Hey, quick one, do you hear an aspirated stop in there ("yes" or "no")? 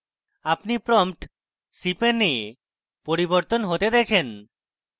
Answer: yes